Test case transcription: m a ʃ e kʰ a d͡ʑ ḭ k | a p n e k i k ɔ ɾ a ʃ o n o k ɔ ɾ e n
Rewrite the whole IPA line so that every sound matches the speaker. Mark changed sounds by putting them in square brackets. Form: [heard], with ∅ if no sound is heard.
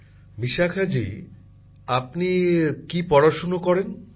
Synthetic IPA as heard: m [i] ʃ [a] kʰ a d͡ʑ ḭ [∅] | a p n [i] k i [p] ɔ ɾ a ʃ o n o k ɔ ɾ e n